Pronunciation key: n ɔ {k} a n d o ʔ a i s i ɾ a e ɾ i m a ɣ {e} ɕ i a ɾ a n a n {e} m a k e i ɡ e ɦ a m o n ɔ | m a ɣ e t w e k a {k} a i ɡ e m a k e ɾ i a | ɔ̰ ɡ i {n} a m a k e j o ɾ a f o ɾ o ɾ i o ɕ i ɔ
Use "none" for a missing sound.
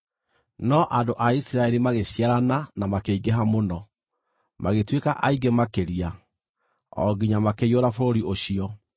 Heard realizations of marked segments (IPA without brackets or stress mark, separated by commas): ʔ, e, a, ʔ, ɲ